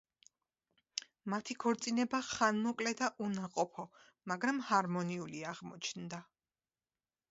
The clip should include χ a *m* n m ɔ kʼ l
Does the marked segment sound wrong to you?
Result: yes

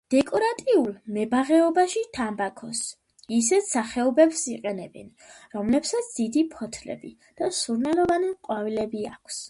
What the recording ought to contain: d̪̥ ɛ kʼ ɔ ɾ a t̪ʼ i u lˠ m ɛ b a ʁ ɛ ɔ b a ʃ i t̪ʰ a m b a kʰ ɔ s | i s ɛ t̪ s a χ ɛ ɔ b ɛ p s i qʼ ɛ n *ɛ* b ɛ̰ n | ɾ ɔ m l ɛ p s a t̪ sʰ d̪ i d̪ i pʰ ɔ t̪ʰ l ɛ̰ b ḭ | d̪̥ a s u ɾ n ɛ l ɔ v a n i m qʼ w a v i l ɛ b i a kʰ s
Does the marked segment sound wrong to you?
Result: no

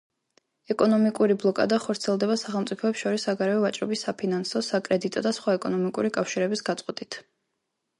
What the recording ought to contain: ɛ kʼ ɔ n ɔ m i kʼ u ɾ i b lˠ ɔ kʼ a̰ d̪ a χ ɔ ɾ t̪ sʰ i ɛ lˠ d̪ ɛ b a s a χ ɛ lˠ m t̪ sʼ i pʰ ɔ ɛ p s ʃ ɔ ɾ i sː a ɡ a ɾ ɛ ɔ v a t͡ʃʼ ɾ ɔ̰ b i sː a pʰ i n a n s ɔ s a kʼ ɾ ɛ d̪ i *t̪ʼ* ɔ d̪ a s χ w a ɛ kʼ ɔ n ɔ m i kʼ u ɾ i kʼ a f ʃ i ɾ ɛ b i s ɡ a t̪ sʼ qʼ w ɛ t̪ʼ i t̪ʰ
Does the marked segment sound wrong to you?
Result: no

